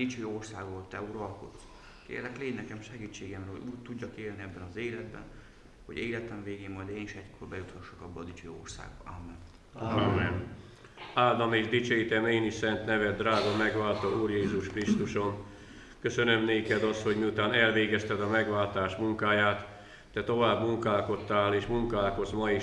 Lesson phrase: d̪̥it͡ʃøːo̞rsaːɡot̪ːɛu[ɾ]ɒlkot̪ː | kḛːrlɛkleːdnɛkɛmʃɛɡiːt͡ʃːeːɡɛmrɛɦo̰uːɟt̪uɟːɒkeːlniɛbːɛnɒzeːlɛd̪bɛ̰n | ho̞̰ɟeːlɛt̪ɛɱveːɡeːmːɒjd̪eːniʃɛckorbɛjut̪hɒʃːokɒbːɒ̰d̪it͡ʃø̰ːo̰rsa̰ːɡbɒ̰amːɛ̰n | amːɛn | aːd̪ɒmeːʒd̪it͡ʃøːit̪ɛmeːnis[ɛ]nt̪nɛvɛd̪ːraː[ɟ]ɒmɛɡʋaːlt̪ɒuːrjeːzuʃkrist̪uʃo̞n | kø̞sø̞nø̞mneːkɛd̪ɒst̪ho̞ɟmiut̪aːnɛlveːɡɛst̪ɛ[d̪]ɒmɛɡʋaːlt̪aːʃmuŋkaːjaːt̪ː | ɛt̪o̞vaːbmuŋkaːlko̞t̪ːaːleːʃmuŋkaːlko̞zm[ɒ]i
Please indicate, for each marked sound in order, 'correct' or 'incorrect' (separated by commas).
correct, correct, incorrect, correct, correct